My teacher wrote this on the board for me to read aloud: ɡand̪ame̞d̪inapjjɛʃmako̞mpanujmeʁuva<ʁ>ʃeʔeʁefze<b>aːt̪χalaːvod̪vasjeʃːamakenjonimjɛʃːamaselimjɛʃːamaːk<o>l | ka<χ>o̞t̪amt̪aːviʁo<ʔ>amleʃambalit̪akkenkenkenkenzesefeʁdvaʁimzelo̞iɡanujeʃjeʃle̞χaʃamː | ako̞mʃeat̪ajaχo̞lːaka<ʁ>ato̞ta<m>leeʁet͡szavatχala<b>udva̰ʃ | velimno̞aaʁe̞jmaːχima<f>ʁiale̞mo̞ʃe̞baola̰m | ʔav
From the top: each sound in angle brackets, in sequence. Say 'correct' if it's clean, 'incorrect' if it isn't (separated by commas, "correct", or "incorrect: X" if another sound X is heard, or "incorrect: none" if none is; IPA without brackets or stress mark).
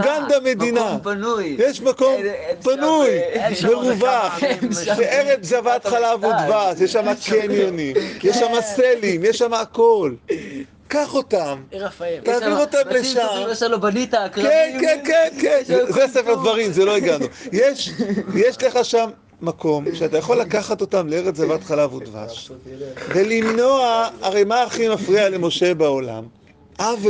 incorrect: χ, incorrect: v, correct, correct, incorrect: t, incorrect: χ, correct, incorrect: v, correct